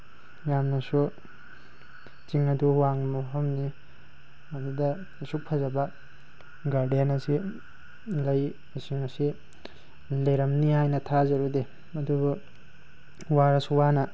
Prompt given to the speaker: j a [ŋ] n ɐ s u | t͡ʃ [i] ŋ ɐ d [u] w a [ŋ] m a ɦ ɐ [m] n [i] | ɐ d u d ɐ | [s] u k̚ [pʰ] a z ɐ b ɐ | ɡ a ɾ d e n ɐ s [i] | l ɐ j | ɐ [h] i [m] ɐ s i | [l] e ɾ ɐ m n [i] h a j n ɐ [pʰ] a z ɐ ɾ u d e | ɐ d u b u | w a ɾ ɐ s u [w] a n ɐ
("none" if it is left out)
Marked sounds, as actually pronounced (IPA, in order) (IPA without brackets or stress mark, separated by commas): m, i, u, ŋ, m, i, s, pʰ, i, s, ŋ, l, i, tʰ, w